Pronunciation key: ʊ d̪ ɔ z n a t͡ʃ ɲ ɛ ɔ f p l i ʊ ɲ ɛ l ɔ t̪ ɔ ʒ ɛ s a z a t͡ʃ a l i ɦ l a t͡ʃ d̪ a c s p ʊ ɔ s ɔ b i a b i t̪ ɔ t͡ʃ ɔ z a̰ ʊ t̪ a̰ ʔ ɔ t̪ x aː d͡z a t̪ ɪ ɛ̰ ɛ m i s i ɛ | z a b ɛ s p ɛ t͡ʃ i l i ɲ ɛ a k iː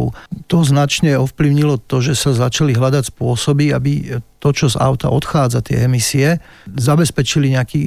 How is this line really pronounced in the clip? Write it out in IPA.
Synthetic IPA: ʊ t̪ ɔ z n a t͡ʃ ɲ ɛ ɔ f p l i ʊ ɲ i l ɔ t̪ ɔ ʒ ɛ s a z a t͡ʃ a l i ɦ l a d̪ a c s p ʊ ɔ s ɔ b i a b i t̪ ɔ t͡ʃ ɔ z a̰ ʊ t̪ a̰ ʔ ɔ t̪ x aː d͡z a t̪ ɪ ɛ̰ ɛ m i s i ɛ | z a b ɛ s p ɛ t͡ʃ i l i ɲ ɛ a k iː